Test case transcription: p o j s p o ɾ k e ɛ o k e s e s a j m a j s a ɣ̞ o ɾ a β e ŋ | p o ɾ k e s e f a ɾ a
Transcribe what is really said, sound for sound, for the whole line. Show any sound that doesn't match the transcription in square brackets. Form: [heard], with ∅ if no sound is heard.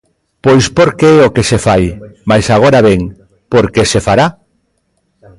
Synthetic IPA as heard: p o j s p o ɾ k e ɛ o k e s e [f] a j m a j s a ɣ̞ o ɾ a β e ŋ | p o ɾ k e s e f a ɾ a